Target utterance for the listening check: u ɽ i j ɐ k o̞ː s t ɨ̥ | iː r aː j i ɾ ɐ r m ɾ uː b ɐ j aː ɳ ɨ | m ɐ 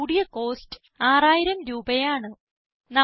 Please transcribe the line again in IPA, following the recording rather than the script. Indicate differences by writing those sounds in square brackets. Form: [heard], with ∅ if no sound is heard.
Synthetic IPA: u ɽ i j ɐ k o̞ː s t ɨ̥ | [aː] r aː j i ɾ ɐ [∅] m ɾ uː b ɐ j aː ɳ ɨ | [n] ɐ